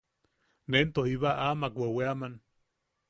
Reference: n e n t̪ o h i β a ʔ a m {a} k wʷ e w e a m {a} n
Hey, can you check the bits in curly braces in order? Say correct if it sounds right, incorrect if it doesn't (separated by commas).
correct, correct